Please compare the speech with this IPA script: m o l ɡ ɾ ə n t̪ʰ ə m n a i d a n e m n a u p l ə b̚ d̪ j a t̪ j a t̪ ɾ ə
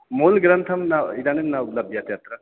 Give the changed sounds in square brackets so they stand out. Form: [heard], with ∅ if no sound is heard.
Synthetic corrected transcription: m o l ɡ ɾ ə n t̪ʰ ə m n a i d a n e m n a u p l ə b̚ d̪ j a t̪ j a t̪ ɾ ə

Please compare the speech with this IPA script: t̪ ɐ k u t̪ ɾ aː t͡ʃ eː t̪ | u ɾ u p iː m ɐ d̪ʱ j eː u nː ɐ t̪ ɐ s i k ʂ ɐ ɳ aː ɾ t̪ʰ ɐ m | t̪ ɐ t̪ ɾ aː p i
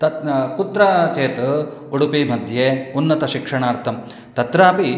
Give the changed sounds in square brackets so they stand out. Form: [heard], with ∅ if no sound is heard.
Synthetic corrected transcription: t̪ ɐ k u t̪ ɾ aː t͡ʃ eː t̪ | u [ɽ] u p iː m ɐ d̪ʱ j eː u nː ɐ t̪ ɐ [ʃ] i k ʂ ɐ ɳ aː ɾ t̪ʰ ɐ m | t̪ ɐ t̪ ɾ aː p i

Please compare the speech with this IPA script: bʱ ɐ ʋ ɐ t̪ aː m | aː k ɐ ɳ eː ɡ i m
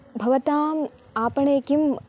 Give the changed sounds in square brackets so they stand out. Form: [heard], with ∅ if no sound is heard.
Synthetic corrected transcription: bʱ ɐ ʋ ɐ t̪ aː m | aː [p] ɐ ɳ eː [k] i m

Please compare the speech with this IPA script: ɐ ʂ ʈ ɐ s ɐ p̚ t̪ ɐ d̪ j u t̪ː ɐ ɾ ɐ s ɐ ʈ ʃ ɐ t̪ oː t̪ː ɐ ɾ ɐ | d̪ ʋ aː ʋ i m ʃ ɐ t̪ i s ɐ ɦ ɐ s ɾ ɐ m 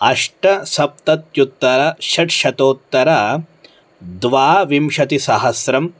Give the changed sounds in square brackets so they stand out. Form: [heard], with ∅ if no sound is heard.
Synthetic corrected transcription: ɐ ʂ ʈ ɐ s ɐ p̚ t̪ ɐ [t̪] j u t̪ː ɐ ɾ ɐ [ʃ] ɐ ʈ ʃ ɐ t̪ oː t̪ː ɐ ɾ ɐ | d̪ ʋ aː ʋ i m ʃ ɐ t̪ i s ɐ ɦ ɐ s ɾ ɐ m

